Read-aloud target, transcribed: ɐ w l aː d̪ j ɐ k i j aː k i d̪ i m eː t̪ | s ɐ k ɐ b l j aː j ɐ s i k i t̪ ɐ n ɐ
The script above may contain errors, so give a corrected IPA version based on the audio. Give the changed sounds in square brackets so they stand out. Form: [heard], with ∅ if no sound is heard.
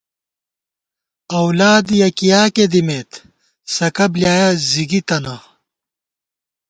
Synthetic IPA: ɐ w l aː d̪ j ɐ k i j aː k [e] d̪ i m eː t̪ | s ɐ k ɐ b l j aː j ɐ [z] i [ɡ] i t̪ ɐ n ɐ